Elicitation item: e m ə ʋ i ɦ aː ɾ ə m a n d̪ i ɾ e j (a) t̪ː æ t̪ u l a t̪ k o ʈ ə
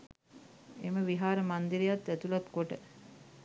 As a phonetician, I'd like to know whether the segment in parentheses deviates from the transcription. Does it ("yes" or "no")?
no